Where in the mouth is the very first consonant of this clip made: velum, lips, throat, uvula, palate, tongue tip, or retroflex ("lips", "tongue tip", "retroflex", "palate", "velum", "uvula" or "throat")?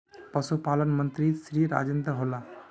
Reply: lips